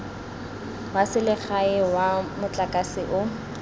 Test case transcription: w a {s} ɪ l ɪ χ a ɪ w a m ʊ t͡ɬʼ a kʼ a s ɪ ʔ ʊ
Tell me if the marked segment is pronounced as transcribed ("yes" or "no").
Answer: yes